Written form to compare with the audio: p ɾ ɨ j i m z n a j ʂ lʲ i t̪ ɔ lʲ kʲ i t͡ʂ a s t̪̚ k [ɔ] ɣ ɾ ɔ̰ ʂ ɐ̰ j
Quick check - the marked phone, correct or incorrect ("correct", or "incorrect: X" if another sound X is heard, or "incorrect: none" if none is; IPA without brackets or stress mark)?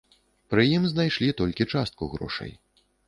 incorrect: u